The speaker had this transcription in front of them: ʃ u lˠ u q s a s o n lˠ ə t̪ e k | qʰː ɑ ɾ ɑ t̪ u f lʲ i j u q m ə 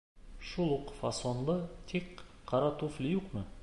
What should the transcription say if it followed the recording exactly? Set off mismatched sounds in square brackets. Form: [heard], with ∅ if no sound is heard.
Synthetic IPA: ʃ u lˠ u q [f] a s o n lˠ ə [t̪ʰ] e k | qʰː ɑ ɾ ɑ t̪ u f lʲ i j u q m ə

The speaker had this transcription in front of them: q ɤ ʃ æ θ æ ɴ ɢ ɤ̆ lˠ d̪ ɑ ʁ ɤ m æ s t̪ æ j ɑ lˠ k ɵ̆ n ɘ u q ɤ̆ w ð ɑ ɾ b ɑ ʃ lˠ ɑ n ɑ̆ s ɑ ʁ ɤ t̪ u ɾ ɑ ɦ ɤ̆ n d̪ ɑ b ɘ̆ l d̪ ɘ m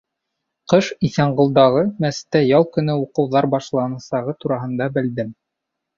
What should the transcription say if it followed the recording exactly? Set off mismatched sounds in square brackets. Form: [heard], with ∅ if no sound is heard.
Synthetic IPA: q ɤ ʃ [i] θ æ ɴ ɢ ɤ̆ lˠ d̪ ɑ ʁ ɤ m æ s t̪ æ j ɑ lˠ k ɵ̆ n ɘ u q ɤ̆ w ð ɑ ɾ b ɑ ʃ lˠ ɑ n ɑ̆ s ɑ ʁ ɤ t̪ u ɾ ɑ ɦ ɤ̆ n d̪ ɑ b ɘ̆ l d̪ ɘ m

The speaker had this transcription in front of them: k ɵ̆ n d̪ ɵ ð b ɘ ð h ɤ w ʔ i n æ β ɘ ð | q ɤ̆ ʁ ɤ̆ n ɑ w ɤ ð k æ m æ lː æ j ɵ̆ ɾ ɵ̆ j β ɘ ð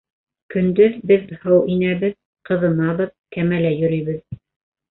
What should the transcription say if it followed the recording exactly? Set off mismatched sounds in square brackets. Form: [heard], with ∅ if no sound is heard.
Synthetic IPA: k ɵ̆ n d̪ ɵ ð b ɘ ð h ɤ w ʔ i n æ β ɘ ð | q ɤ̆ [ð] ɤ̆ n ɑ [β] ɤ ð k æ m æ [l] æ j ɵ̆ ɾ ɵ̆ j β ɘ ð

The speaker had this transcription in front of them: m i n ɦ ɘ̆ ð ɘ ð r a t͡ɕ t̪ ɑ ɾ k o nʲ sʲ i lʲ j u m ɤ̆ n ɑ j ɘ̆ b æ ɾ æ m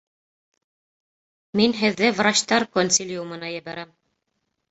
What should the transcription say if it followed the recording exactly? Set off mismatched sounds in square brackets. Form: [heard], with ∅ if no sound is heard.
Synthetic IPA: m i n ɦ ɘ̆ [ðː] ɘ [v] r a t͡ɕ t̪ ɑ ɾ k o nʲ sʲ i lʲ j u m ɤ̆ n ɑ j ɘ̆ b æ ɾ æ m

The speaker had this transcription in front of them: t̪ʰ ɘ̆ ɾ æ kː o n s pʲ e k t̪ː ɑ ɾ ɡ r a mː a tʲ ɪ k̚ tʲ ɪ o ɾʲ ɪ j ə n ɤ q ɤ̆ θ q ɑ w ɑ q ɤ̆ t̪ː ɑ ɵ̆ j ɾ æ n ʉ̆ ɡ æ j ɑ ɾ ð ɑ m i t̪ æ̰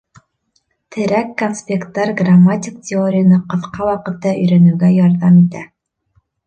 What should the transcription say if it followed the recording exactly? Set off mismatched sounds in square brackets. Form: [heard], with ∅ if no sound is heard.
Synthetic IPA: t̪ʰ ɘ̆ ɾ æ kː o n s pʲ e k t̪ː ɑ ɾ ɡ r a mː a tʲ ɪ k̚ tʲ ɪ o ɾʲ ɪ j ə n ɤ q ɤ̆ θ q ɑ w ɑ q ɤ̆ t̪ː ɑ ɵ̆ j ɾ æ n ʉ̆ ɡ æ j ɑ ɾ ð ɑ m i t̪ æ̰

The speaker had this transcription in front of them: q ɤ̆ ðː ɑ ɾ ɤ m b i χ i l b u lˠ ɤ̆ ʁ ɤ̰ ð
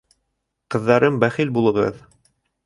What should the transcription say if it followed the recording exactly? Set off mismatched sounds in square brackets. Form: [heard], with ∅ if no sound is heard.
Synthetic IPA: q ɤ̆ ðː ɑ ɾ ɤ m b [æ] χ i l b u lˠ ɤ̆ ʁ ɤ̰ ð

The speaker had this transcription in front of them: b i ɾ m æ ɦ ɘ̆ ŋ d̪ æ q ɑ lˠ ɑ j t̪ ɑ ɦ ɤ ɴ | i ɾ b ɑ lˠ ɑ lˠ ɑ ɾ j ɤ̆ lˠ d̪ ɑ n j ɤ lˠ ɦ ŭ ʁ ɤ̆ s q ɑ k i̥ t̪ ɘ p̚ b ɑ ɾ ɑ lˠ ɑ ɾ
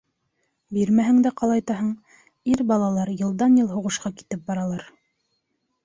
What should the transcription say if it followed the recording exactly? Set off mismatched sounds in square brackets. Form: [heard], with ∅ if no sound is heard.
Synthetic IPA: b i ɾ m æ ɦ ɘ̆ ŋ d̪ æ q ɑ lˠ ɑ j t̪ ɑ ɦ ɤ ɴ | i ɾ b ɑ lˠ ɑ lˠ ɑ ɾ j ɤ̆ lˠ d̪ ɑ n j ɤ lˠ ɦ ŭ ʁ ɤ̆ [ʃ] q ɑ k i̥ t̪ ɘ p̚ b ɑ ɾ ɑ lˠ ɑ ɾ

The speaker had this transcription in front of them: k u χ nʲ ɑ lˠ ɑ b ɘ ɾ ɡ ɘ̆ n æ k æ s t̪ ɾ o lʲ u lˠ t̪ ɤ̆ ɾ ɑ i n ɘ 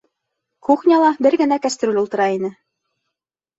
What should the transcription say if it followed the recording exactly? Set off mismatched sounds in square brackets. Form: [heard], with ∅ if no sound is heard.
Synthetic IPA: k u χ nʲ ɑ lˠ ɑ b ɘ ɾ ɡ ɘ̆ n æ k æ s t̪ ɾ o lʲ u lˠ t̪ ɤ̆ ɾ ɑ i n ɘ

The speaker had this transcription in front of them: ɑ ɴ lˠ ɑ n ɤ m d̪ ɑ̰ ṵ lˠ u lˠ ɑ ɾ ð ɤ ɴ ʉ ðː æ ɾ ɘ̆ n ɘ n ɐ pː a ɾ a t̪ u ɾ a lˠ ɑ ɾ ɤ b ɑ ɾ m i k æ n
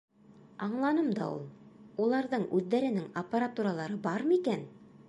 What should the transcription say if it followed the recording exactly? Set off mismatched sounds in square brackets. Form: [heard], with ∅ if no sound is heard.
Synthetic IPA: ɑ ɴ lˠ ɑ n ɤ m d̪ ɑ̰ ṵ lˠ u lˠ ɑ ɾ ð ɤ ɴ ʉ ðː æ ɾ ɘ̆ n ɘ [ŋ] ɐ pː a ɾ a t̪ u ɾ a lˠ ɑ ɾ ɤ b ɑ ɾ m i k æ n

